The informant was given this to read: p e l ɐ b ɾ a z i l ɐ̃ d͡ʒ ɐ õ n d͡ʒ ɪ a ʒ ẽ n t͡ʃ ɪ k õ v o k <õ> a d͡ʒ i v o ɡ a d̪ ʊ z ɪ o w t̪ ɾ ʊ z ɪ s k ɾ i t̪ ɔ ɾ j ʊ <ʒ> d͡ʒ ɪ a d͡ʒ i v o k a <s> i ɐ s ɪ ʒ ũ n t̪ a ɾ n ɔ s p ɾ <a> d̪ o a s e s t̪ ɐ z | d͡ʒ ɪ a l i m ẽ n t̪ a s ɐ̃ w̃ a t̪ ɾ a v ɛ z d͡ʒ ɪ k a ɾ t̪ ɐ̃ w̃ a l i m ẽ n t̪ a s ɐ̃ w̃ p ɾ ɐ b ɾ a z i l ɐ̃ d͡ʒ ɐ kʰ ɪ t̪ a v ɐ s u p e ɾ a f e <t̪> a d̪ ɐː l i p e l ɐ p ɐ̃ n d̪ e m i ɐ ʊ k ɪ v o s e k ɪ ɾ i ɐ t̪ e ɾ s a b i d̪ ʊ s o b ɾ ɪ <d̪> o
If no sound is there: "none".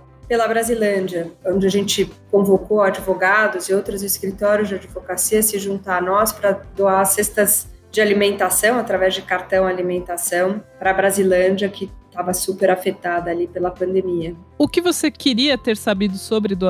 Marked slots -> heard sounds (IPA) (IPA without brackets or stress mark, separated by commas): o, z, s, ɐ, t̪, d̪